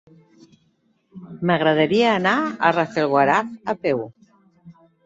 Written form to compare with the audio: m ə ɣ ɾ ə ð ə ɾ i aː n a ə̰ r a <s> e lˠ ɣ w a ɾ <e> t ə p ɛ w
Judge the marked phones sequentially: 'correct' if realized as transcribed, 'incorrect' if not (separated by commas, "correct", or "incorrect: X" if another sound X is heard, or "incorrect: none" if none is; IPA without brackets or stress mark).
incorrect: f, incorrect: a